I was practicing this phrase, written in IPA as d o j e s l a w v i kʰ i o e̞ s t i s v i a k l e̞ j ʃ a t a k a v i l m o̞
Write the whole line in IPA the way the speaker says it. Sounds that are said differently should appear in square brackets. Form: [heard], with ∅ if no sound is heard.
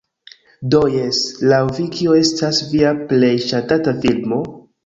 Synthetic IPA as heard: d o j e s l a w v i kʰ i o e̞ s t [a] s v i a [p] l e̞ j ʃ a t a [t] a [f] i l m o̞